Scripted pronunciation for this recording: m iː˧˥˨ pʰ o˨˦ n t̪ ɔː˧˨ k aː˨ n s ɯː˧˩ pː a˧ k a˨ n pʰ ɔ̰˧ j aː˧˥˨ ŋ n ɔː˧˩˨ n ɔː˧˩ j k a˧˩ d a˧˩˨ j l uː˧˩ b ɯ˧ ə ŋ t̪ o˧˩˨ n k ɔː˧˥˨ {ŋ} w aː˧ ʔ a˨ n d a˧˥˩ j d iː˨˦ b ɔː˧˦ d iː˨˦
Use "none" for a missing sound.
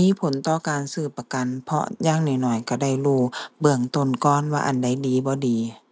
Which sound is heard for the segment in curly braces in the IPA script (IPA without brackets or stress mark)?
n